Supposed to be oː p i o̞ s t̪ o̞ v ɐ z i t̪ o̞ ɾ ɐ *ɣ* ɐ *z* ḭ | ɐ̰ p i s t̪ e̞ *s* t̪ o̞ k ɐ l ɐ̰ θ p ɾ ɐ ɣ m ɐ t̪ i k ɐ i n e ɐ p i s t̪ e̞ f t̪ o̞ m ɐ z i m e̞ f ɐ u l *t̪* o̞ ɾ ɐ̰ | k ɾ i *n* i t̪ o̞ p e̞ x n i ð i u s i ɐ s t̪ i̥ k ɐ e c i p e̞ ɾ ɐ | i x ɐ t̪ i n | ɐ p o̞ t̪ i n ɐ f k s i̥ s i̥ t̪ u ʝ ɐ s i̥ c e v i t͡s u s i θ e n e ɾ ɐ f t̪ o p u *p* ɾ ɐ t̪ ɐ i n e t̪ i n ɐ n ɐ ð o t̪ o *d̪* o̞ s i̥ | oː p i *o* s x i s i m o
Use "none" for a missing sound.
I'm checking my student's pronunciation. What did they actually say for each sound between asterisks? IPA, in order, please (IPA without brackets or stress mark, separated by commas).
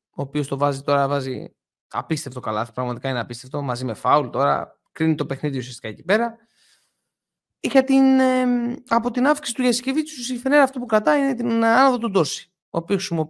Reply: v, z, f, t̪, n, k, d̪, o